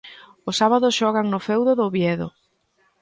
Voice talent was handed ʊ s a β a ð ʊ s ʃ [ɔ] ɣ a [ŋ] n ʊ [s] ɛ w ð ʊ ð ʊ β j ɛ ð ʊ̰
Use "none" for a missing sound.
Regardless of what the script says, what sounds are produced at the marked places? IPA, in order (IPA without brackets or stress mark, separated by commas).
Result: ɔ, ŋ, f